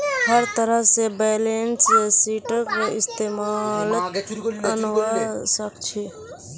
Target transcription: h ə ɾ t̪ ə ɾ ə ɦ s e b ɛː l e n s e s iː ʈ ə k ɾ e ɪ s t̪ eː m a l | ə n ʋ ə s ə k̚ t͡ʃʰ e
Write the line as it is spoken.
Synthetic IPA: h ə ɾ t̪ ə ɾ ə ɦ s e b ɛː l e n s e s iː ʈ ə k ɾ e ɪ s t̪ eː m a l | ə n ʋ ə s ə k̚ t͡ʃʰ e